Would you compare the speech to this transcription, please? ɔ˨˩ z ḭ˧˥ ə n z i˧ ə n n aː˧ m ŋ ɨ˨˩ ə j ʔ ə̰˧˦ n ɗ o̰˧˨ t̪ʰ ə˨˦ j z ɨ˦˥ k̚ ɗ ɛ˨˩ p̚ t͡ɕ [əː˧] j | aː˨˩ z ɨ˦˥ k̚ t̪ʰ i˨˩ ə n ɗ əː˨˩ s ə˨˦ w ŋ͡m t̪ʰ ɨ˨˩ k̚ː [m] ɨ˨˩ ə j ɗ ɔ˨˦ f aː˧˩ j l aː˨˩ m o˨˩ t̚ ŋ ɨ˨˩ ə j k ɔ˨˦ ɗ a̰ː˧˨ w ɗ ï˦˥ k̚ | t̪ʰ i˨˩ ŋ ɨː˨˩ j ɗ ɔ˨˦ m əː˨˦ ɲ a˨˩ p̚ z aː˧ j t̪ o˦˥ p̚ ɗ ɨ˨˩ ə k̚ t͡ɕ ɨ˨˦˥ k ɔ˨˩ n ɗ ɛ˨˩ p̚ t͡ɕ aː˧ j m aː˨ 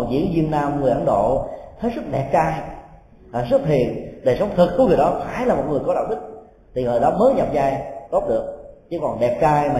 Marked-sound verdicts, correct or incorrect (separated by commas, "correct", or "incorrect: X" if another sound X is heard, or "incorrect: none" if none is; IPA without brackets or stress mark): incorrect: aː˧, incorrect: ŋ